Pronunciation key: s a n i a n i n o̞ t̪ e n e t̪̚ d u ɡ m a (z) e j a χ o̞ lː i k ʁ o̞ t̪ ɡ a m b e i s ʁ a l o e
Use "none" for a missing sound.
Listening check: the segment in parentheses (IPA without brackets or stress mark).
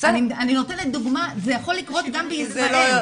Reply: z